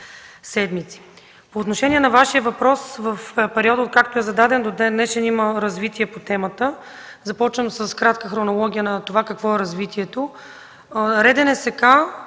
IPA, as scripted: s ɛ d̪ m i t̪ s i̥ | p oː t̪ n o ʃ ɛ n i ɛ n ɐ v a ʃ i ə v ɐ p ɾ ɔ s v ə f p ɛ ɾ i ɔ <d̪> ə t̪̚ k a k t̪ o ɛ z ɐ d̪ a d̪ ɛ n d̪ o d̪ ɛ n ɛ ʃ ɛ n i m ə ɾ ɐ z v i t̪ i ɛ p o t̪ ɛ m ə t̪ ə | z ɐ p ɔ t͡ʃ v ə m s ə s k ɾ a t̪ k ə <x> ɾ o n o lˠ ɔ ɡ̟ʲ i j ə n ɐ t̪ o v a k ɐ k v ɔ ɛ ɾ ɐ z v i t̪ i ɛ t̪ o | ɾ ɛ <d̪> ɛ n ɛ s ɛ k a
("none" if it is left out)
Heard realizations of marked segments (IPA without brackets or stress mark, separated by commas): d̪, x, d̪